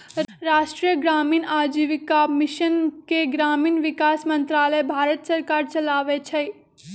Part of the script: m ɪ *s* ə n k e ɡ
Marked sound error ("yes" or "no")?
yes